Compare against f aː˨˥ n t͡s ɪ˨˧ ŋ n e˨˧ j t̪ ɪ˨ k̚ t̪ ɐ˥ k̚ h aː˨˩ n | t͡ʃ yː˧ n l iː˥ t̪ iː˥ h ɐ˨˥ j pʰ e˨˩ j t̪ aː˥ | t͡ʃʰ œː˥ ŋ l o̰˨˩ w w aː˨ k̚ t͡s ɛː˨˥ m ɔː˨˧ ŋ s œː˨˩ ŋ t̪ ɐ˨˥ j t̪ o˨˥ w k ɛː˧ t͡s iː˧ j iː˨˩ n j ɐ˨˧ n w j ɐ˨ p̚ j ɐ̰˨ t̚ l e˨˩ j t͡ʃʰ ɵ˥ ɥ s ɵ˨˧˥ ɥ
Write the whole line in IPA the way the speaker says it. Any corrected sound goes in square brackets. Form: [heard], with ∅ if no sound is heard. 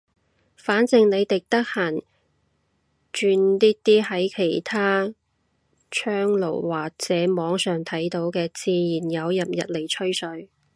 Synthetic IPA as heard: f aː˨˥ n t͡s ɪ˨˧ ŋ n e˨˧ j t̪ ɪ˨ k̚ t̪ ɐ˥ k̚ h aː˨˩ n | t͡ʃ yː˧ n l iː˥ t̪ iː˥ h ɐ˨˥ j [kʰ] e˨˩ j [t̪ʰ] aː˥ | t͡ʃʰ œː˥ ŋ l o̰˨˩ w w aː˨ k̚ t͡s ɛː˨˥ m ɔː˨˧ ŋ s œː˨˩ ŋ [t̪ʰ] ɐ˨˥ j t̪ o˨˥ w k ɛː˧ t͡s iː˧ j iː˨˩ n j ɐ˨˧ [∅] w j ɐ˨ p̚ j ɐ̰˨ t̚ l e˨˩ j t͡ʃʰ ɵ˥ ɥ s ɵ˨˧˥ ɥ